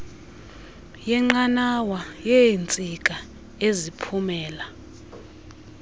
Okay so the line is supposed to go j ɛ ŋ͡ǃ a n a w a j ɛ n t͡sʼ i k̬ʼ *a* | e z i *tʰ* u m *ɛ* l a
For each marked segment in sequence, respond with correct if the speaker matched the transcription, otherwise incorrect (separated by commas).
correct, incorrect, incorrect